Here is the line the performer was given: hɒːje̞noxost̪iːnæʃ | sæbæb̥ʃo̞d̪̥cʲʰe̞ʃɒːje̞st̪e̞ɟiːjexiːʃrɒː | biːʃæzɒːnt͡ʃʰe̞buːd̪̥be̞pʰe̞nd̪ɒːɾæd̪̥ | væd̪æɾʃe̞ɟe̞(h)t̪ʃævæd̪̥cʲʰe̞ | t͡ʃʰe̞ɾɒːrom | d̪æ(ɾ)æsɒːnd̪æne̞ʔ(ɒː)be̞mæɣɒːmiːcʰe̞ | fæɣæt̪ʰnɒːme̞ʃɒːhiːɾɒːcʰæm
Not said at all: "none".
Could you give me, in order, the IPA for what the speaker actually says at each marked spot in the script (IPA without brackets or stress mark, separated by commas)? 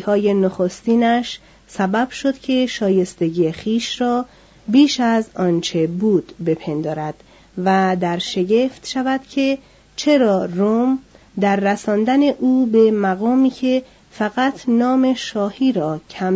f, ɾː, uː